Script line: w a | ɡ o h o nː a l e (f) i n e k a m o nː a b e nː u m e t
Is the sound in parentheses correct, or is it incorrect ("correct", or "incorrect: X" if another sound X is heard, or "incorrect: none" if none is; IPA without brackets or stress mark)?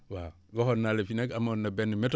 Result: correct